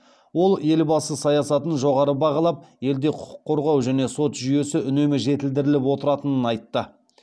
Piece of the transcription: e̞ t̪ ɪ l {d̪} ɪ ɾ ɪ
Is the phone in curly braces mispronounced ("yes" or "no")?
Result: no